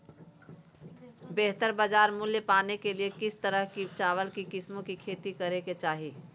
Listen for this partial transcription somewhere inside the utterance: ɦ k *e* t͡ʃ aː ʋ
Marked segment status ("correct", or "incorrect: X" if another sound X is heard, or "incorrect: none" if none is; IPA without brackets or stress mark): incorrect: i